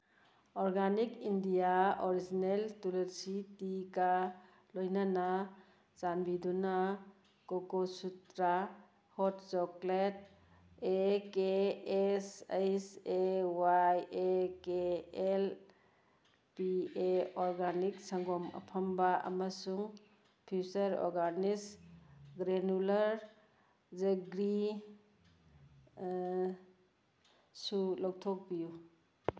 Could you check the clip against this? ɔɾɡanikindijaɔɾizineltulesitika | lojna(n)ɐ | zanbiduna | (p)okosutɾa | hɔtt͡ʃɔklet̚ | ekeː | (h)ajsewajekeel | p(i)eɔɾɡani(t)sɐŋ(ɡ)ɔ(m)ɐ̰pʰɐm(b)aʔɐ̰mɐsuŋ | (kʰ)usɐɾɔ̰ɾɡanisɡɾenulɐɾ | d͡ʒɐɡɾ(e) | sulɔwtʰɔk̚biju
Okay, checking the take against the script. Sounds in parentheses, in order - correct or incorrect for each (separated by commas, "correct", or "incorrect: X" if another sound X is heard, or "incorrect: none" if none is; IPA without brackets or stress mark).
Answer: correct, incorrect: k, incorrect: s, correct, incorrect: k, correct, correct, correct, incorrect: pʰ, incorrect: i